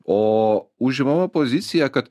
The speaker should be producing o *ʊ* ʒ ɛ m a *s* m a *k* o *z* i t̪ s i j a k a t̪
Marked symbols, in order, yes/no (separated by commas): no, no, no, yes